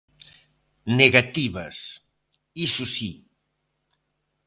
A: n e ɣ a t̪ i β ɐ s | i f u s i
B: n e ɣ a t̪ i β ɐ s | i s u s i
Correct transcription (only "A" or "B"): B